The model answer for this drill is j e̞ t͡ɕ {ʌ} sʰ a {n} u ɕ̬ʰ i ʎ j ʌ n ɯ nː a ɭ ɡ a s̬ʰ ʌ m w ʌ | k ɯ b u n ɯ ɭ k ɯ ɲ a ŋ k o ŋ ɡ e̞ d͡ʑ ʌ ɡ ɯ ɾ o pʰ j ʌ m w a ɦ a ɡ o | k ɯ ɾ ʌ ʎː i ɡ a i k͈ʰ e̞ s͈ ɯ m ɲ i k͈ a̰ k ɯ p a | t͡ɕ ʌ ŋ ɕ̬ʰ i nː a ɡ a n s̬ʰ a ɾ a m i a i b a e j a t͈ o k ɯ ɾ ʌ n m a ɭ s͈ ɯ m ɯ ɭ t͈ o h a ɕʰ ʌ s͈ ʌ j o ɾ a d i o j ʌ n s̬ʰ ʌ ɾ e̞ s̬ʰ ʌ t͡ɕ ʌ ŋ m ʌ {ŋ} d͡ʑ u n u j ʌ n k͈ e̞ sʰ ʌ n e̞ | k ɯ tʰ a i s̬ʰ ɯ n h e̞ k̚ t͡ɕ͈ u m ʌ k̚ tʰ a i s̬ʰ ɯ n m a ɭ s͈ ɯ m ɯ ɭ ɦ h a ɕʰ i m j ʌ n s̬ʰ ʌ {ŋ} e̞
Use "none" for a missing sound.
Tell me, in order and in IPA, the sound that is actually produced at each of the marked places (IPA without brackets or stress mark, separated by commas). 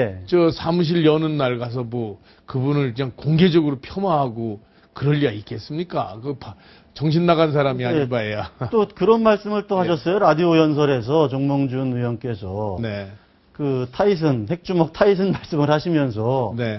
ʌ, m, ŋ, n